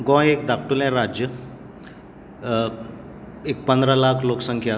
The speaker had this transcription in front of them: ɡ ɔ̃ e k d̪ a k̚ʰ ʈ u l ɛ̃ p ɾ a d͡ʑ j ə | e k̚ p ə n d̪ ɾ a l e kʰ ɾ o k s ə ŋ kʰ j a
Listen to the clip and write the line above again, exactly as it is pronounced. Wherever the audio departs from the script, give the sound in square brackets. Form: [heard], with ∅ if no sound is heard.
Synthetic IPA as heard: ɡ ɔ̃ e k d̪ a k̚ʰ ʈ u l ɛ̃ [∅] ɾ a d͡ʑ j ə | e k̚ p ə n d̪ ɾ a l [a] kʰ [l] o k s ə ŋ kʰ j a